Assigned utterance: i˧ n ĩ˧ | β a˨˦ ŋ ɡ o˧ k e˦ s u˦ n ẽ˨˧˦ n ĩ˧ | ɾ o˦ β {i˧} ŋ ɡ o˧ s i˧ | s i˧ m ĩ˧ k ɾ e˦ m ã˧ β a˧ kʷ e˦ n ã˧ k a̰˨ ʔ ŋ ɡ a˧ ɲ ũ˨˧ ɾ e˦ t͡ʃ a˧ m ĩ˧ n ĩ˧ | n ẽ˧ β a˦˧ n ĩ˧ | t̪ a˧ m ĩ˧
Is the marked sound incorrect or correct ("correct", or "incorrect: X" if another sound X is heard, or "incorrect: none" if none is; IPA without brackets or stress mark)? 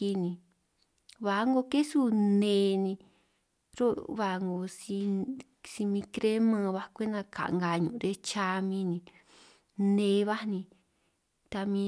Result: incorrect: a˧